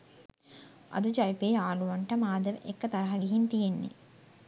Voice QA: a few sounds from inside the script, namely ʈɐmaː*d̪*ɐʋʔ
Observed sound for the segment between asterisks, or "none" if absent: d̪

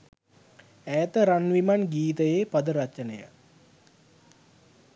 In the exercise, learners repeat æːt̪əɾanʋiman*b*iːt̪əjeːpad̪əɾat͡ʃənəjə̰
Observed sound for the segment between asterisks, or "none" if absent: ɡ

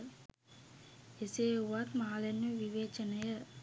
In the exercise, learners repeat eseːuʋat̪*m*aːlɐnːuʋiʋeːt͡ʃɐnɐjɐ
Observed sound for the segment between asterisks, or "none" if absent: m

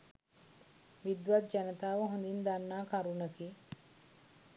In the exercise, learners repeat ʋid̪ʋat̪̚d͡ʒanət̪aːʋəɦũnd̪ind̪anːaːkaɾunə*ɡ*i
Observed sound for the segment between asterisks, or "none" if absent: k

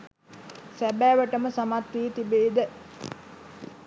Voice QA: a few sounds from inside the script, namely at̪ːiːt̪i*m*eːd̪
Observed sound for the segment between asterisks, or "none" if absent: b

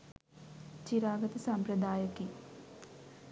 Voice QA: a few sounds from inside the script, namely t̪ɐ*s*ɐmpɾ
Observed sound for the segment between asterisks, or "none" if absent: s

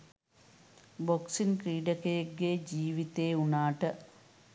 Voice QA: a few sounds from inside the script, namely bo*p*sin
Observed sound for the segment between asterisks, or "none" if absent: k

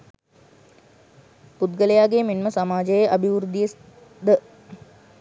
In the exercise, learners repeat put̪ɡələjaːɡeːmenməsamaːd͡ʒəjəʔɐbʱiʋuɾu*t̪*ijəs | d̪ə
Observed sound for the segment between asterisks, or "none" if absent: d̪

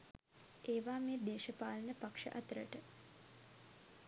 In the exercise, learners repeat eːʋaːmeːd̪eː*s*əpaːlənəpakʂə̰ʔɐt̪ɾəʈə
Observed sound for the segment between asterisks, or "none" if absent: ʃ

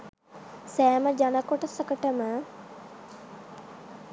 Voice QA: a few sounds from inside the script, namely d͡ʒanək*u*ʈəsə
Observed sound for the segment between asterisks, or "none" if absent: o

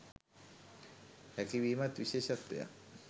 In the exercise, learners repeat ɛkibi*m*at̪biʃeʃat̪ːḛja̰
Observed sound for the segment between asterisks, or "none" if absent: m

